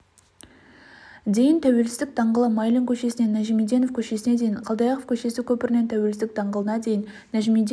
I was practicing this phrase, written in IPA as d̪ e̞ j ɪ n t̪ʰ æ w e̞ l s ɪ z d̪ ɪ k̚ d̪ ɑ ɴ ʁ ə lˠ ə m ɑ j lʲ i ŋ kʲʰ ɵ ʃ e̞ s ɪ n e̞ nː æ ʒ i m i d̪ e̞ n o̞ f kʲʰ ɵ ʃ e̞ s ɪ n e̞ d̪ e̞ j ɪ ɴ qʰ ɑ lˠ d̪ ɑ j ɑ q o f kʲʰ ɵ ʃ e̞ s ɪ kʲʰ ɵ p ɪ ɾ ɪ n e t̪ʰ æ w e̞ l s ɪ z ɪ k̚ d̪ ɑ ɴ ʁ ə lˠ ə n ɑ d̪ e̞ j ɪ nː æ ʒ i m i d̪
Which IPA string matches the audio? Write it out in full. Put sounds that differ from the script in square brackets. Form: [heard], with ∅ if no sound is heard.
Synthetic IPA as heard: d̪ e̞ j ɪ n t̪ʰ æ w e̞ l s ɪ z d̪ ɪ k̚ d̪ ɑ ɴ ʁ ə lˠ ə m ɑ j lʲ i ŋ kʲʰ ɵ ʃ e̞ s ɪ n e̞ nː æ ʒ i m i d̪ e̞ n o̞ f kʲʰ ɵ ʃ e̞ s ɪ n e̞ d̪ e̞ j ɪ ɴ qʰ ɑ lˠ d̪ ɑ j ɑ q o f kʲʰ ɵ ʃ e̞ s ɪ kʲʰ ɵ p ɪ ɾ ɪ n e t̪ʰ æ w e̞ l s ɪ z ɪ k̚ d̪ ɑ ɴ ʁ ə lˠ ə n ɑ d̪ e̞ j ɪ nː æ ʒ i m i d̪